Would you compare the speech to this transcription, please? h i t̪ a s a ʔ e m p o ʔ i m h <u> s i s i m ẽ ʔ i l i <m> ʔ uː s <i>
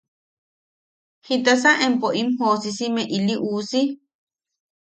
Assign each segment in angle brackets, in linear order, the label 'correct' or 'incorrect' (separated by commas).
incorrect, incorrect, correct